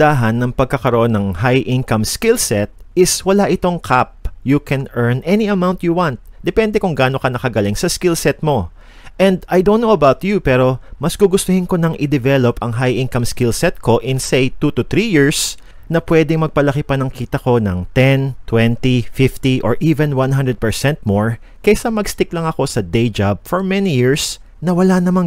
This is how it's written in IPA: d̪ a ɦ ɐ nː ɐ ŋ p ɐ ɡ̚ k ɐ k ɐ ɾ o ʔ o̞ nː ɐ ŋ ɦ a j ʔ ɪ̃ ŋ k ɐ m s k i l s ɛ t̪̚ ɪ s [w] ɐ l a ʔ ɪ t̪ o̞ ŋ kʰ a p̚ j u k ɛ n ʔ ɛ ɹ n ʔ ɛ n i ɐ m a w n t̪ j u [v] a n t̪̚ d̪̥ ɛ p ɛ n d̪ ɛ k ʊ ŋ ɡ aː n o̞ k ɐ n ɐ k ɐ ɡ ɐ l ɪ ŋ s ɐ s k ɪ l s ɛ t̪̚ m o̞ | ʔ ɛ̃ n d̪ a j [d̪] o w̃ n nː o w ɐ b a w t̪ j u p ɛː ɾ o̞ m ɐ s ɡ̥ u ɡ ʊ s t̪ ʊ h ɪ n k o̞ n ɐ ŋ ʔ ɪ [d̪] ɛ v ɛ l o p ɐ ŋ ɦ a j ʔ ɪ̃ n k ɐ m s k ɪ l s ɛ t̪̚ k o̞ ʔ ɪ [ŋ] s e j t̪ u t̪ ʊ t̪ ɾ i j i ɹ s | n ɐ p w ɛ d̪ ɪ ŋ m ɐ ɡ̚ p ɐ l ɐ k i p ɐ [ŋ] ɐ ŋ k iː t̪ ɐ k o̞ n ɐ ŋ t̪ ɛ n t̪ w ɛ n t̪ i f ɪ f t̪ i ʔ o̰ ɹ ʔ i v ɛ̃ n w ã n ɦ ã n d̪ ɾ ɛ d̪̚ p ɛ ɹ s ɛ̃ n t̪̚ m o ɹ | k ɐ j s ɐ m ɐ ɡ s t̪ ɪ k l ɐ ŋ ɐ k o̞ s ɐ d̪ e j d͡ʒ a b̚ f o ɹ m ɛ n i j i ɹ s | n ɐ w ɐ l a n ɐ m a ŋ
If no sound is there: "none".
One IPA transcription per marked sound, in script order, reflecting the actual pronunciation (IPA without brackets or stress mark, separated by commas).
w, w, d̪, d̪, n, n